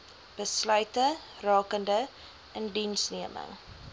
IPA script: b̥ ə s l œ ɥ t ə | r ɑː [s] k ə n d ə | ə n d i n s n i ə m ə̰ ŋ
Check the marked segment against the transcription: incorrect: none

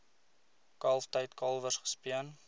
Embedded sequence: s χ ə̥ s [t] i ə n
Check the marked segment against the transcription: incorrect: p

